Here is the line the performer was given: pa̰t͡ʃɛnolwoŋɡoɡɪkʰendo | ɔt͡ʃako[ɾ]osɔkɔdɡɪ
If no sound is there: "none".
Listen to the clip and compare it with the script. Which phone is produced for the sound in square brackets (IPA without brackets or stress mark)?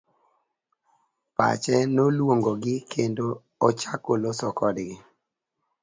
l